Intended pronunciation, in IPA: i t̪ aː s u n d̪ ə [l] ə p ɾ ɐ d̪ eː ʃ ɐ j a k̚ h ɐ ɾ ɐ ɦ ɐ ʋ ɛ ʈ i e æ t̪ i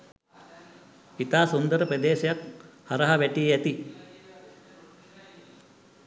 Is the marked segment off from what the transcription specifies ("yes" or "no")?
yes